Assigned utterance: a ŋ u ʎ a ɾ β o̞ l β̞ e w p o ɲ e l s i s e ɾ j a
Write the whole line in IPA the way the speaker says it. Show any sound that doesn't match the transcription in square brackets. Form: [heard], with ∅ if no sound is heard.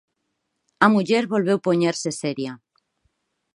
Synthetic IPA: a [m] u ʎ [e] ɾ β o̞ l β̞ e w p o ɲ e [ɾ] s [e] s e ɾ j a